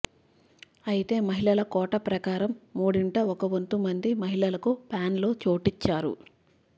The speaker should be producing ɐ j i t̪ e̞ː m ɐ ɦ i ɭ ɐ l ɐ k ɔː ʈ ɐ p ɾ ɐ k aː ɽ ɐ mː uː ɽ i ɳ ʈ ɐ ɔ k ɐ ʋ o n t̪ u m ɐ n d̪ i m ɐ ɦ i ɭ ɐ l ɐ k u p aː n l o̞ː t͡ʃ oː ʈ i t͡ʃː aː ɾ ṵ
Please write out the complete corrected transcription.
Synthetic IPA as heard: ɐ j i t̪ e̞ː m ɐ ɦ i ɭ ɐ l ɐ k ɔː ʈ ɐ p ɾ ɐ k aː ɾ ɐ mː uː ɽ i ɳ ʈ ɐ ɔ k ɐ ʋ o n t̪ u m ɐ n d̪ i m ɐ ɦ i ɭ ɐ l ɐ k u p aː n l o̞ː t͡ʃ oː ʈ i t͡ʃː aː ɾ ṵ

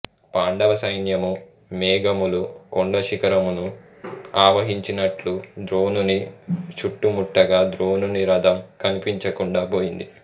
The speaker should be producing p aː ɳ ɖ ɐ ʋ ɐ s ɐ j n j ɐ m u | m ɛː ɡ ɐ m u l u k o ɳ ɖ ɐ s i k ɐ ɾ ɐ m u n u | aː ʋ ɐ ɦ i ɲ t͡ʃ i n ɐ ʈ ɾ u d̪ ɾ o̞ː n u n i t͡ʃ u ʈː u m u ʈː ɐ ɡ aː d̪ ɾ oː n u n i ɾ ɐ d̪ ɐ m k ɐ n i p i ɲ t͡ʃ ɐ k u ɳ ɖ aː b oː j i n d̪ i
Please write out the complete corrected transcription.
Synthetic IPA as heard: p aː ɳ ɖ ɐ ʋ ɐ s ɐ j n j ɐ m u | m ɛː ɡ ɐ m u l u k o ɳ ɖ ɐ ʃ i k ɐ ɾ ɐ m u n u | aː ʋ ɐ ɦ i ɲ t͡ʃ i n ɐ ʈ l u d̪ ɾ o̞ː n u n i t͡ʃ u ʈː u m u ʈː ɐ ɡ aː d̪ ɾ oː n u n i ɾ ɐ d̪ ɐ m k ɐ n i p i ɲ t͡ʃ ɐ k u ɳ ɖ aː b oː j i n d̪ i

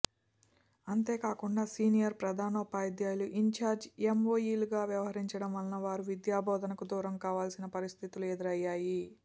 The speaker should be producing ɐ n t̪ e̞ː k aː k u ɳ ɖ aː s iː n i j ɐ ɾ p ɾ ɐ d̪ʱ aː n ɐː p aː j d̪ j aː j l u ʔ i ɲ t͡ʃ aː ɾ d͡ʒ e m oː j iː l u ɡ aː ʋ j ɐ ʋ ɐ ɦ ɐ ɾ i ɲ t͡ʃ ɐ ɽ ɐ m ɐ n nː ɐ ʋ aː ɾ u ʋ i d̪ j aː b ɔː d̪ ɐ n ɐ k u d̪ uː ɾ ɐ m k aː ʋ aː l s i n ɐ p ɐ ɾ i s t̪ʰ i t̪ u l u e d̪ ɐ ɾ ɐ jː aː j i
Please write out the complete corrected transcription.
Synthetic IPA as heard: ɐ n t̪ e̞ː k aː k u ɳ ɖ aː s iː n i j ɐ ɾ p ɾ ɐ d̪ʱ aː n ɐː p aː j d̪ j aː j l u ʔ i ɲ t͡ʃ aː ɾ d͡ʒ e m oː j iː l u ɡ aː ʋ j ɐ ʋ ɐ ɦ ɐ ɾ i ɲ t͡ʃ ɐ ɽ ɐ m ɐ n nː ɐ ʋ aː ɾ u ʋ i d̪ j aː b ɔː d̪ ɐ n ɐ k u d̪ uː ɾ ɐ m k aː ʋ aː l s i n ɐ p ɐ ɾ i s t̪ʰ i t̪ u l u e d̪ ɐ ɾ ɐ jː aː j i

